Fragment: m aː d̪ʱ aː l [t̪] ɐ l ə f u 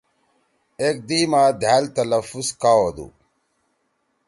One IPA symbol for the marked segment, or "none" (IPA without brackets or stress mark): t̪